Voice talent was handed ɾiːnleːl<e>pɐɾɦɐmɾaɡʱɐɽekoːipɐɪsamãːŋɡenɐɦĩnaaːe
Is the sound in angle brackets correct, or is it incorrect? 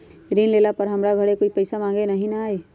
incorrect